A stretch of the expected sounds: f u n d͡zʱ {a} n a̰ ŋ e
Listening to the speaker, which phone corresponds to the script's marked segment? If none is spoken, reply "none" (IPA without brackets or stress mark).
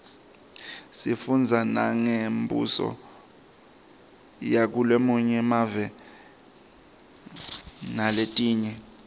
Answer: a